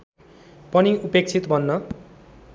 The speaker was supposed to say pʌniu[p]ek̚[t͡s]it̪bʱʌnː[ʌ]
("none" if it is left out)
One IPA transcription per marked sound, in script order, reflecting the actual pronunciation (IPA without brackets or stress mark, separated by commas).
p, t͡sʰ, ʌ